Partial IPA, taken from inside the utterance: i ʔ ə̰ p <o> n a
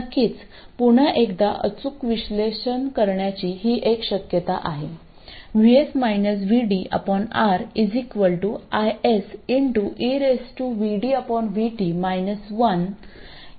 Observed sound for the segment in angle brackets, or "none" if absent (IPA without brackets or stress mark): ɔ